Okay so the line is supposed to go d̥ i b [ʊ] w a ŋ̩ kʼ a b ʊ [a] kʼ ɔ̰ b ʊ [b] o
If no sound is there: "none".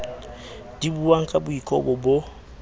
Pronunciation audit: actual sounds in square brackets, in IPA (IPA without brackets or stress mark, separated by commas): u, i, b